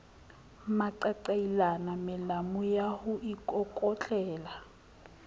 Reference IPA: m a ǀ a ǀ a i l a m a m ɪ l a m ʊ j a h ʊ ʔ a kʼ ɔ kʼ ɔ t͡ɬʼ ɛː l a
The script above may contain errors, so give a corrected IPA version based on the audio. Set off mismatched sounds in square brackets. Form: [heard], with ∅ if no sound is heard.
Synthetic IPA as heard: m a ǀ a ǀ a i l a [n] a m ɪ l a m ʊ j a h ʊ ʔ [i] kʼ ɔ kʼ ɔ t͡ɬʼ ɛː l a